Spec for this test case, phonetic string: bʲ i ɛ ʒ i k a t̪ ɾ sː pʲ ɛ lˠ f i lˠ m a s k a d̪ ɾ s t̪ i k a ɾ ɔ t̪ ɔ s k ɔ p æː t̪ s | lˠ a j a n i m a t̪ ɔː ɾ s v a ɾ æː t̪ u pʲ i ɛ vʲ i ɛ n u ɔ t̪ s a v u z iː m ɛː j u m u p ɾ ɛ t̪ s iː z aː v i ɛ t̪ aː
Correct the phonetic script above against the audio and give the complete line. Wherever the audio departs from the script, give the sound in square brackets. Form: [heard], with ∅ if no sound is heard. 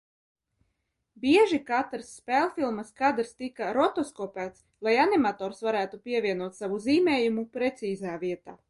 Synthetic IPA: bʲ i ɛ ʒ i k a t̪ ɾ sː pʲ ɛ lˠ f i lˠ m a s k a d̪ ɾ s t̪ i k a ɾ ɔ t̪ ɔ s k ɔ p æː t̪ s | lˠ a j a n i m a t̪ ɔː ɾ s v a ɾ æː t̪ u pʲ i ɛ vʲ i ɛ n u ɔ t̪ s a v u z iː m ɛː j u m u p ɾ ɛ t̪ s iː z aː v i ɛ t̪ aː